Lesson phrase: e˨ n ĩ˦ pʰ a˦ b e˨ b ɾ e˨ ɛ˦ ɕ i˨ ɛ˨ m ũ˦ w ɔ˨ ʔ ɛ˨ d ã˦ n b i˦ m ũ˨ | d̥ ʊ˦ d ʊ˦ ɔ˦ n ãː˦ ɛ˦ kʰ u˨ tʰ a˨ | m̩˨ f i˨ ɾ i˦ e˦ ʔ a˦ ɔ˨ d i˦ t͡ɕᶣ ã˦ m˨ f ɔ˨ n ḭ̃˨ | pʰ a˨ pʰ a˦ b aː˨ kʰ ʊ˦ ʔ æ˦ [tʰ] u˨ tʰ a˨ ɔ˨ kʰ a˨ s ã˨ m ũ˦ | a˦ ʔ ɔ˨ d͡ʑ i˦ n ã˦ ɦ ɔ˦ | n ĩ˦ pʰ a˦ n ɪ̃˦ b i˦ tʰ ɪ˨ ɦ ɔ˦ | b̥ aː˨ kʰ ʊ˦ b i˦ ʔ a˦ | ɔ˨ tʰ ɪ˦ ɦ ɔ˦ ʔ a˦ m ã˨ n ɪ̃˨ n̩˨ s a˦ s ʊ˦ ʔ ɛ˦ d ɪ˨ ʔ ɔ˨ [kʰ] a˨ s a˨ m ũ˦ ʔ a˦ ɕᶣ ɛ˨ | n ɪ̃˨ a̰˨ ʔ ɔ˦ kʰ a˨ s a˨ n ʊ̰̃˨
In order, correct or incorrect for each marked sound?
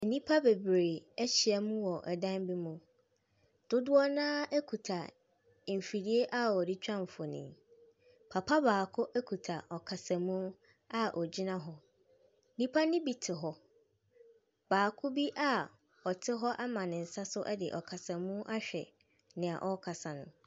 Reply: incorrect: kʰ, correct

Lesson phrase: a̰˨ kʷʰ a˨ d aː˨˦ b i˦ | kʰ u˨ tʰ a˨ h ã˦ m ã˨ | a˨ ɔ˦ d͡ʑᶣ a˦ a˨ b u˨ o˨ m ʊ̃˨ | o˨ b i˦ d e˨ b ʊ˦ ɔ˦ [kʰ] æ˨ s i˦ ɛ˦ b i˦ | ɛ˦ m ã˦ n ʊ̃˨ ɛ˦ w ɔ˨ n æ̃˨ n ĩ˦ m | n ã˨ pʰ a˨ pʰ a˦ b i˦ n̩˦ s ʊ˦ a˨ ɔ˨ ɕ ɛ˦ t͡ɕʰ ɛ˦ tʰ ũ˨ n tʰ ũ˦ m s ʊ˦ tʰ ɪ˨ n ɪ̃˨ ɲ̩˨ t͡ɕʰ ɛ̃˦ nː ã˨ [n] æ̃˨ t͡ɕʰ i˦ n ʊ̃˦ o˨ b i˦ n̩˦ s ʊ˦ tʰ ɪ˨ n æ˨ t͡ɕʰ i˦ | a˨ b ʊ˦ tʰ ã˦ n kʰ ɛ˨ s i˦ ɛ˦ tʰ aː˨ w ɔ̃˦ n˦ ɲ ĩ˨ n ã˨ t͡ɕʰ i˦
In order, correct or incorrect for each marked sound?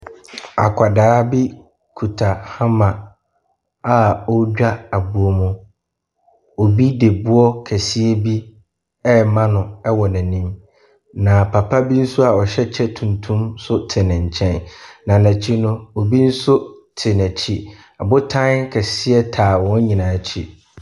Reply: correct, correct

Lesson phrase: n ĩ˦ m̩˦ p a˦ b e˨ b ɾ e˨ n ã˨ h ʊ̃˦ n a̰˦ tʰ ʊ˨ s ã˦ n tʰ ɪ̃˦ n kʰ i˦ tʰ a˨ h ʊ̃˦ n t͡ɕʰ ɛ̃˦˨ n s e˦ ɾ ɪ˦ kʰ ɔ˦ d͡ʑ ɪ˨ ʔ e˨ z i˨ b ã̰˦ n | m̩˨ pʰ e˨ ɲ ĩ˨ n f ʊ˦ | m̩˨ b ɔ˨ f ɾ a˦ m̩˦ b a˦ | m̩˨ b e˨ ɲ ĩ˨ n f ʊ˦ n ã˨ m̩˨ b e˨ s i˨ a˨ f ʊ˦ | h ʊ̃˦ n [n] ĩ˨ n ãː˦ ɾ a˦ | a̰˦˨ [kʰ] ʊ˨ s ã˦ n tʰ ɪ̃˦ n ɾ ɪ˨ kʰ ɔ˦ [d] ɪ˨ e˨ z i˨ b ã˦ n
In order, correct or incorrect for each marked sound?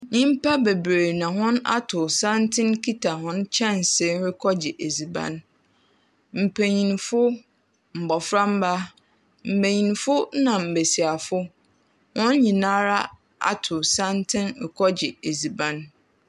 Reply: incorrect: ɲ, incorrect: tʰ, incorrect: d͡ʑ

